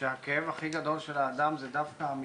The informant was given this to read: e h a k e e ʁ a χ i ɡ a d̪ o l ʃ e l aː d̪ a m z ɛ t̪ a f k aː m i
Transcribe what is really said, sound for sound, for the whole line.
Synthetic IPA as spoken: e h a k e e v a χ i ɡ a d̪ o l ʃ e l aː d̪ a m z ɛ d̪ a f k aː m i